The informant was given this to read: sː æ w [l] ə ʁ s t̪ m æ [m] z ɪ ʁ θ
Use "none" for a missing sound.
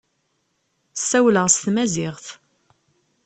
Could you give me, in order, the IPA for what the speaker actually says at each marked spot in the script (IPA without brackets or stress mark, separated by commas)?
l, none